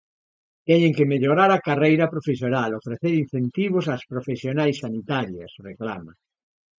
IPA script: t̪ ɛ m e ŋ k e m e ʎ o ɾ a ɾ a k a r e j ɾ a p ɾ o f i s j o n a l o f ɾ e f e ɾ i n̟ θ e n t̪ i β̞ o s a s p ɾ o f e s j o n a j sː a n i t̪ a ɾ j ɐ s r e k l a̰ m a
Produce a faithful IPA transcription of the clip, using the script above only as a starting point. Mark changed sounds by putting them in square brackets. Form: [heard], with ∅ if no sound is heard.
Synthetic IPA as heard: t̪ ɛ [ɲ] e ŋ k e m e ʎ o ɾ a ɾ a k a r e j ɾ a p ɾ o f [e] s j o n a l o f ɾ e [θ] e ɾ i n̟ θ e n t̪ i β̞ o s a s p ɾ o f e s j o n a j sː a n i t̪ a ɾ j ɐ s r e k l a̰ m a